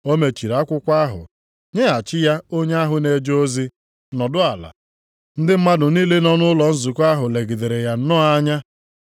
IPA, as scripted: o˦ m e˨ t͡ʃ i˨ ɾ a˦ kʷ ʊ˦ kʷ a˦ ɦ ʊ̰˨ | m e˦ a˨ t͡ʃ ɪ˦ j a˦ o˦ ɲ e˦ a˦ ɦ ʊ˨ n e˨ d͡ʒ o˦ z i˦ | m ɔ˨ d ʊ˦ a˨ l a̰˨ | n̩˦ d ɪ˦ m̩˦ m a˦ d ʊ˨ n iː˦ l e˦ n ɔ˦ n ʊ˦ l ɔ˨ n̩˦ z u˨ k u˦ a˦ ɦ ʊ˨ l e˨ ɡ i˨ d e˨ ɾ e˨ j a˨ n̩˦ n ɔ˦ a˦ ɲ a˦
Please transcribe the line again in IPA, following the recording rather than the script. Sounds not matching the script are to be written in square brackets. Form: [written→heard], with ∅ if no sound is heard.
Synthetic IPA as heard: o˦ m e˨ t͡ʃ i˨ ɾ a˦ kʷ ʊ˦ kʷ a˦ ɦ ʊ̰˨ | [m→ɲ] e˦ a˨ t͡ʃ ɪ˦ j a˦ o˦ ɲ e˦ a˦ ɦ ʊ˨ n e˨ d͡ʒ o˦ z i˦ | [m→n] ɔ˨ d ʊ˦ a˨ l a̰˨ | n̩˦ d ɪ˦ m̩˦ m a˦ d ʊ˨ n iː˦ l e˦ n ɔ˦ n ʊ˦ l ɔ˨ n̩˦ z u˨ k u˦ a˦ ɦ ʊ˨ l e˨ ɡ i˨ d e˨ ɾ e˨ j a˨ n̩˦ n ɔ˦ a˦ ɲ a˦